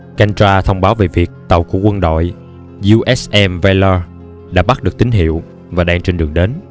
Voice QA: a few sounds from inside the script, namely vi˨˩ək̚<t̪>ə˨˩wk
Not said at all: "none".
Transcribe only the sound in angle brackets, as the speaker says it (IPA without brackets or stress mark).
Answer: t̪